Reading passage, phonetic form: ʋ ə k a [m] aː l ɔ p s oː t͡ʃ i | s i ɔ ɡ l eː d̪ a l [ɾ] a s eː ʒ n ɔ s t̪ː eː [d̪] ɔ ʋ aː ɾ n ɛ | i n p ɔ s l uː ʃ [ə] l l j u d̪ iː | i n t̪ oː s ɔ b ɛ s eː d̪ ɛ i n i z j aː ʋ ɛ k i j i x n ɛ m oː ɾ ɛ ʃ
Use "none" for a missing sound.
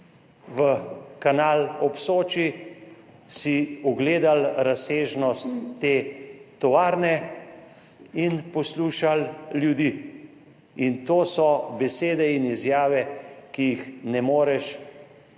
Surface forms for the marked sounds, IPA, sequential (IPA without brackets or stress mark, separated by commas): n, ɾ, t̪, a